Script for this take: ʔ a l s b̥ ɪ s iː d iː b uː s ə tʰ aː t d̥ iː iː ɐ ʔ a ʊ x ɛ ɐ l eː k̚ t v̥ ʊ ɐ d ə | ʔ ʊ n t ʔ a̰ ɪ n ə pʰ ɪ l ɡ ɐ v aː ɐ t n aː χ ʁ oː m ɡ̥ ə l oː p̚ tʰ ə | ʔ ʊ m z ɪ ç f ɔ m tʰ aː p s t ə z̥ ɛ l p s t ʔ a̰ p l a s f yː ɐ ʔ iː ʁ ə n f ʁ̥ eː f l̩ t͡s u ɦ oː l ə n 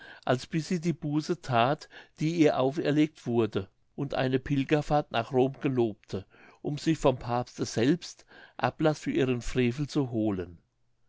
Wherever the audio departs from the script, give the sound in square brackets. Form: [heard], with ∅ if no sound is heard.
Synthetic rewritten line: ʔ a l s b̥ ɪ s iː d iː b uː s ə tʰ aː t d̥ iː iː ɐ ʔ a ʊ [f] ɛ ɐ l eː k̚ t v̥ ʊ ɐ d ə | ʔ ʊ n t ʔ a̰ ɪ n ə pʰ ɪ l ɡ ɐ [f] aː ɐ t n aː χ ʁ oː m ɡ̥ ə l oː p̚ tʰ ə | ʔ ʊ m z ɪ ç f ɔ m [pʰ] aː p s t ə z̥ ɛ l p s t ʔ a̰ p l a s f yː ɐ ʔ iː ʁ ə n f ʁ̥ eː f l̩ t͡s u ɦ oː l ə n